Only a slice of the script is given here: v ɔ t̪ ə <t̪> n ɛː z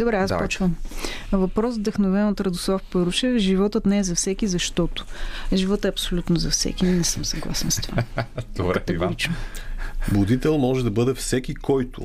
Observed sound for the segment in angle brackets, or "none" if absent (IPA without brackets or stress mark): t̪